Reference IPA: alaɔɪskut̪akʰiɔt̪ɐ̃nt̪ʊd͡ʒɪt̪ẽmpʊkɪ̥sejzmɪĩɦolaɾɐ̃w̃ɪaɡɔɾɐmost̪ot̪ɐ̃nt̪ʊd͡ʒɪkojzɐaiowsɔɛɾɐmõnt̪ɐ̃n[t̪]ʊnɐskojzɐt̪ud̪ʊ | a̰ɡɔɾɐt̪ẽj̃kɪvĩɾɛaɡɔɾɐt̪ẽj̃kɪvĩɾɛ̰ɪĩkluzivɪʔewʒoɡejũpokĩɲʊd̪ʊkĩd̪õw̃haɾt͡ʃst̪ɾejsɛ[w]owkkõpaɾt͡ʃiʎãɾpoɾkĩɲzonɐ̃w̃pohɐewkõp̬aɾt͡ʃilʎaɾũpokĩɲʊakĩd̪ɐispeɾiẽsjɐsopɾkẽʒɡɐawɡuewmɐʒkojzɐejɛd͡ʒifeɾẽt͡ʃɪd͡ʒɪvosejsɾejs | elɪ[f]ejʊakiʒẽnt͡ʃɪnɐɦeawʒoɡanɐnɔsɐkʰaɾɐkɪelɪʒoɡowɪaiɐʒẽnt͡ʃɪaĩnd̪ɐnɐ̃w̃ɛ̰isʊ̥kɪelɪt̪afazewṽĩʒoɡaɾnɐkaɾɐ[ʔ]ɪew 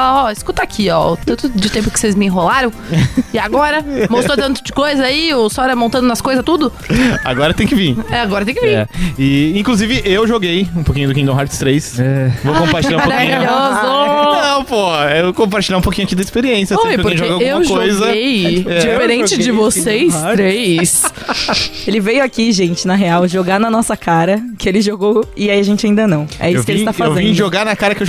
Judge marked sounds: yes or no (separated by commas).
no, no, no, no